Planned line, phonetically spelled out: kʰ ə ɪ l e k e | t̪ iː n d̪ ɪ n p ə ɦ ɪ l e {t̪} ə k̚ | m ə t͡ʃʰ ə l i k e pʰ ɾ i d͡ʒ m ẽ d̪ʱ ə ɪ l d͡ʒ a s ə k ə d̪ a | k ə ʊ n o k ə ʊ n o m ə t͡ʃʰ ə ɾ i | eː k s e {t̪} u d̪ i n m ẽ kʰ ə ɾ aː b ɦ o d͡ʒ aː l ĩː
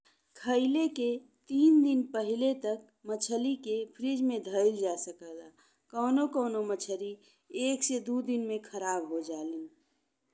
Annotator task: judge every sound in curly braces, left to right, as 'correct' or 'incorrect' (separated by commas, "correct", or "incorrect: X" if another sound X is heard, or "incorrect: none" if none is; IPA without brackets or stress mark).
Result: correct, incorrect: d̪